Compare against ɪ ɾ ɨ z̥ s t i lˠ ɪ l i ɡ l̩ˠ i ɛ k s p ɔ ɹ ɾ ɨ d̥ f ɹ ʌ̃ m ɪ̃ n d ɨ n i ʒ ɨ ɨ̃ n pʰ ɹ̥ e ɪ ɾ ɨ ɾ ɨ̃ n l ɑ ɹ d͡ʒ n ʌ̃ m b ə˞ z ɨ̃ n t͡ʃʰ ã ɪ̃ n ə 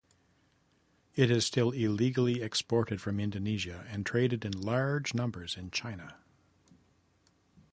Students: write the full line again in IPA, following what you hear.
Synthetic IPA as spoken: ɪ ɾ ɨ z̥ s t ɪ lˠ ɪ l i ɡ l̩ˠ i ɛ k s p ɔ ɹ ɾ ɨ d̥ f ɹ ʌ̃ m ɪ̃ n d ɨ n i ʒ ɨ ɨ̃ n tʰ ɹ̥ e ɪ ɾ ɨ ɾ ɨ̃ n l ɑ ɹ d͡ʒ n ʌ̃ m b ə˞ z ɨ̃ n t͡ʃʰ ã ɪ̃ n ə